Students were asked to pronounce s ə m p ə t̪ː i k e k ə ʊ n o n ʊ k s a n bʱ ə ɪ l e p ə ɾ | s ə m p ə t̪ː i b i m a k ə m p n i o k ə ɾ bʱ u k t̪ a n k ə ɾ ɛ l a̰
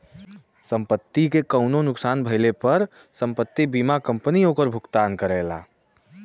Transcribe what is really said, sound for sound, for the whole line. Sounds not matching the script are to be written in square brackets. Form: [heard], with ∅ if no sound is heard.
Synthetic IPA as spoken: s ə m p ə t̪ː i k e k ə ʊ n o n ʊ k s a n bʱ ə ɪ l e p ə ɾ | s ə m p ə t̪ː i b i m a k ə m p n i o k ə ɾ bʱ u k t̪ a n k ə ɾ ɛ l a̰